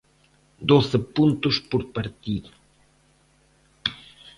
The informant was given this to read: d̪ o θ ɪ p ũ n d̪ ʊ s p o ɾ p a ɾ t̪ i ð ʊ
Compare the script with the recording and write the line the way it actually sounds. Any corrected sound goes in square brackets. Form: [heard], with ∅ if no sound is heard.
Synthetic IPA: d̪ o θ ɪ p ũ n [t̪] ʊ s p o ɾ p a ɾ t̪ i ð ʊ

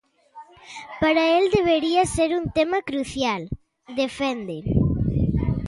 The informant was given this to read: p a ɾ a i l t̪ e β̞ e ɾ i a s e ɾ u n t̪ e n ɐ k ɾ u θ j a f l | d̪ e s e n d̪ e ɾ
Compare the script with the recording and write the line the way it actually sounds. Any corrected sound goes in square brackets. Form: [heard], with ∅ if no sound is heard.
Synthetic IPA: p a ɾ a [e] l [d̪] e β̞ e ɾ i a s e ɾ u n t̪ e [m] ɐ k ɾ u θ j a [∅] l | d̪ e [f] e n d̪ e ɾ

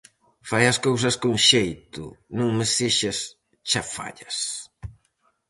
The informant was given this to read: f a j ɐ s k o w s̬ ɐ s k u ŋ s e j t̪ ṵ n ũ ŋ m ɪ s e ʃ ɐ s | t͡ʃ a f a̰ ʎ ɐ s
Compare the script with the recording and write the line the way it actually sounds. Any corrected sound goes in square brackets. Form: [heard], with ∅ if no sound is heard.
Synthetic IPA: f a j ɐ s k o w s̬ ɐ s k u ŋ [ʃ] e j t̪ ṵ n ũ ŋ m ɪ s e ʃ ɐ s | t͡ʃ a f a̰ ʎ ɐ s

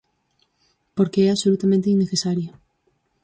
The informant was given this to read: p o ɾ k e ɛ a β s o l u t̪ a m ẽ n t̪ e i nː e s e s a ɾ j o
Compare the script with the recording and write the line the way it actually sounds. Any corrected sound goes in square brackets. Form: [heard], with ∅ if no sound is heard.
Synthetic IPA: p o ɾ k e ɛ a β s o l u t̪ a m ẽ n t̪ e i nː e [θ] e s a ɾ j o

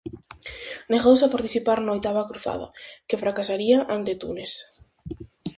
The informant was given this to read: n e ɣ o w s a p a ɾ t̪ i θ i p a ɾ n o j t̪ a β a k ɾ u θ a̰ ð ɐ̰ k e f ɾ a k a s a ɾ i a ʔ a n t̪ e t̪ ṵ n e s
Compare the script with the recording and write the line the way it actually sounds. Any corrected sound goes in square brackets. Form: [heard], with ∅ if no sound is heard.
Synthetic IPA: n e ɣ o w s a p a ɾ t̪ i θ i p a ɾ n o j t̪ a β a k ɾ u θ a̰ ð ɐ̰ k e f ɾ a k a s a ɾ i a ʔ a n t̪ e t̪ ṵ n e s

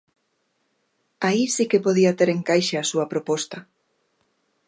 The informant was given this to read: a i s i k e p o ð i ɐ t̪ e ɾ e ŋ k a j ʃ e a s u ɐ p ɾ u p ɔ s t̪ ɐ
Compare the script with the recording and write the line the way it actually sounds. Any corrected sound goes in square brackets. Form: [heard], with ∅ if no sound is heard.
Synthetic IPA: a i s i k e p o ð i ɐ t̪ e ɾ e ŋ k a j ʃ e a s u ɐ p ɾ [o] p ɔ s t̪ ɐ

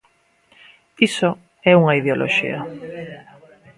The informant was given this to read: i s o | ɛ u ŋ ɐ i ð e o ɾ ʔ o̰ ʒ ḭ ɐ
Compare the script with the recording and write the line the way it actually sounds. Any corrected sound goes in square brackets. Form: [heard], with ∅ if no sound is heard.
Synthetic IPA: i s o | ɛ u ŋ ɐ i ð e o [l] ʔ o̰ [ʃ] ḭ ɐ

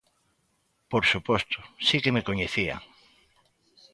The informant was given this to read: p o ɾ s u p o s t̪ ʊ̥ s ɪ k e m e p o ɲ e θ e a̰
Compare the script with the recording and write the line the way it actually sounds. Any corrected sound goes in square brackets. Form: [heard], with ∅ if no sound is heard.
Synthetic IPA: p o ɾ s u p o s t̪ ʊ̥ s [i] k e m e [k] o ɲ e θ [i] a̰

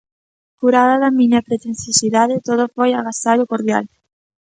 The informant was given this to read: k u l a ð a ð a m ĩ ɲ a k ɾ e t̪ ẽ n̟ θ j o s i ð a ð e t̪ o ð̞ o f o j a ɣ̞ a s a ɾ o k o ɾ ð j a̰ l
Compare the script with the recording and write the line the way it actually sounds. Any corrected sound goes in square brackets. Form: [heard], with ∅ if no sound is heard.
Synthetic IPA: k u [ɾ] a ð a ð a m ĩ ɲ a [p] ɾ e t̪ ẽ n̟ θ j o s i ð a ð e t̪ o ð̞ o f o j a ɣ̞ a s a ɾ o k o ɾ ð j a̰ l

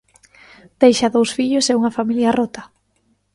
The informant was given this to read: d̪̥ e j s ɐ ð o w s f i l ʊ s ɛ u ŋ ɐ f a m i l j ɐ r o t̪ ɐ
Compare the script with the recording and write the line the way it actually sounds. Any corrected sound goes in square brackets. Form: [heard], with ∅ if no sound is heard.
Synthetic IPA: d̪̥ e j [ʃ] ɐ ð o w s f i [ʎ] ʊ s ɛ u ŋ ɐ f a m i l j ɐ r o t̪ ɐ

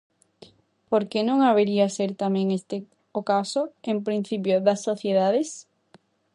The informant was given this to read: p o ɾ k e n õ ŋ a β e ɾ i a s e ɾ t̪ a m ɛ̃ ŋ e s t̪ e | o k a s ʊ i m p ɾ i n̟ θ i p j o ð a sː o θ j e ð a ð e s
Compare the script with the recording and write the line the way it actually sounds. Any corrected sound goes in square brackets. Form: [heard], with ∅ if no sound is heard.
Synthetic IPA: p o ɾ k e n õ ŋ a β e ɾ i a s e ɾ t̪ a m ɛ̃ ŋ e s t̪ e | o k a s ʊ [e] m p ɾ i n̟ θ i p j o ð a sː o θ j e ð a ð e s

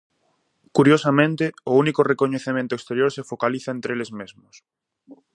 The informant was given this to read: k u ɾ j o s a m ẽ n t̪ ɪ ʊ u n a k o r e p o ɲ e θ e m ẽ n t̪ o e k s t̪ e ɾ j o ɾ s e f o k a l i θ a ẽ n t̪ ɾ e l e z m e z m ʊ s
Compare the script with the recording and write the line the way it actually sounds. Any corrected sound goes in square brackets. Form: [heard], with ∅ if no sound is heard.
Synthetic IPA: k u ɾ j o s a m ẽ n t̪ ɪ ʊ u n [i] k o r e [k] o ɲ e θ e m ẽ n t̪ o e k s t̪ e ɾ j o ɾ s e f o k a l i θ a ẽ n t̪ ɾ e l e z m e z m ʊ s

